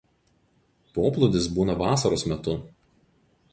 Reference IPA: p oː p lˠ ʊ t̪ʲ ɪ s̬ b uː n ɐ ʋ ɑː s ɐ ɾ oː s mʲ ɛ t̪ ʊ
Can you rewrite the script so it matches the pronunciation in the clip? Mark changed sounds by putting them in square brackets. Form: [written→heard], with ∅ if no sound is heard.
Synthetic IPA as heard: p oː p lˠ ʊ [t̪ʲ→d̪ʲ] ɪ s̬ b uː n ɐ ʋ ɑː s ɐ ɾ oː s mʲ ɛ t̪ ʊ